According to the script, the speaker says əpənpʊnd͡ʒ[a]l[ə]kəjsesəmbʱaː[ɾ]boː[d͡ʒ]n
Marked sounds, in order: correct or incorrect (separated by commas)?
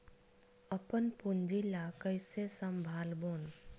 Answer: incorrect, incorrect, incorrect, incorrect